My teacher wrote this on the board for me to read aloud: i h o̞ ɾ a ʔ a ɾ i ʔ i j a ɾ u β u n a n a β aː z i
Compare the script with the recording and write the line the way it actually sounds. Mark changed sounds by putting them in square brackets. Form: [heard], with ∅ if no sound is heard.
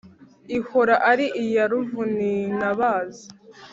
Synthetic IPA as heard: i h o̞ ɾ a ʔ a ɾ i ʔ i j a ɾ u [v] u n [i] n a β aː z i